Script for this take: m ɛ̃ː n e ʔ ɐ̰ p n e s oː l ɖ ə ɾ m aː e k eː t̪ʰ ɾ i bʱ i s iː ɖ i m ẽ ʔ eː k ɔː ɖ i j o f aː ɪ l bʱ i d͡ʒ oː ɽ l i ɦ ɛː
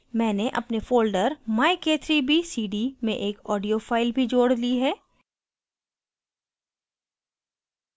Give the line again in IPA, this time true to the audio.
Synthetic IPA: m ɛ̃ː n e ʔ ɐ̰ p n e f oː l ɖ ə ɾ m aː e k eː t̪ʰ ɾ i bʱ i s iː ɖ i m ẽ ʔ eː k ɔː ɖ i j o f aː ɪ l bʱ i d͡ʒ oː ɽ l i ɦ ɛː